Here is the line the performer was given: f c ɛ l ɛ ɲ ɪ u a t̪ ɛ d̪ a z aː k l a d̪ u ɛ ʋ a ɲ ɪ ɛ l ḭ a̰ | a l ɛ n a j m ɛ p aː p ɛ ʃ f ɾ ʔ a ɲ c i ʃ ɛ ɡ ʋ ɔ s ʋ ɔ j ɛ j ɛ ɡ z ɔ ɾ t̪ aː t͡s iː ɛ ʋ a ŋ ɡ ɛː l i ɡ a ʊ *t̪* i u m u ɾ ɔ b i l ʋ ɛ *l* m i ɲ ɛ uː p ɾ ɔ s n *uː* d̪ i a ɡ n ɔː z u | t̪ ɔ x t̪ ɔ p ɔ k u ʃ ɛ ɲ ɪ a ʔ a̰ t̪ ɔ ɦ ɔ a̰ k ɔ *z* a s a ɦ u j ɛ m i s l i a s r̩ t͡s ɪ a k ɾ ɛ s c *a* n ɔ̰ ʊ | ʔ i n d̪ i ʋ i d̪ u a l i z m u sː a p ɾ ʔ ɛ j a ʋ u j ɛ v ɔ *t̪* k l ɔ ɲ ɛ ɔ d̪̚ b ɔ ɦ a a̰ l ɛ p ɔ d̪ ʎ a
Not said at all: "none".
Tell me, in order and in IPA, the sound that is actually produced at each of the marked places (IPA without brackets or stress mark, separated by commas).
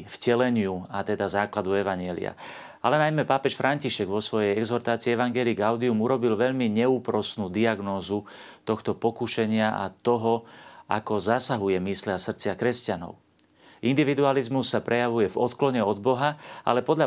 d̪, ʎ, uː, z, a, t̪